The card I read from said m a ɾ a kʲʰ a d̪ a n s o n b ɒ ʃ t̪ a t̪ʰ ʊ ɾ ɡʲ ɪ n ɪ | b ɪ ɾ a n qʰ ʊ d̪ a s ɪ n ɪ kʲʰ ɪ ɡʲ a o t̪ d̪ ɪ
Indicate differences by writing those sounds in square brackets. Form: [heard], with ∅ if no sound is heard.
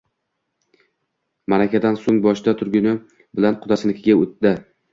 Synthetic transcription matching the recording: m a ɾ a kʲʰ a d̪ a n s o [ŋ] b ɒ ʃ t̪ a t̪ʰ ʊ ɾ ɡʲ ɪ n ɪ | b ɪ [l] a n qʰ ʊ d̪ a s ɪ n ɪ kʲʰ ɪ ɡʲ a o t̪ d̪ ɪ